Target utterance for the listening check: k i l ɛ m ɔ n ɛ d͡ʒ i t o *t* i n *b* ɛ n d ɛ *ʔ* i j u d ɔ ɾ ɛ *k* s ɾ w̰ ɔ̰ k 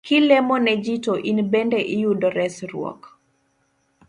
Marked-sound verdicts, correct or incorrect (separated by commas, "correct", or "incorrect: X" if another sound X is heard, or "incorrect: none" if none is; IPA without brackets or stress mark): incorrect: ʔ, correct, correct, incorrect: none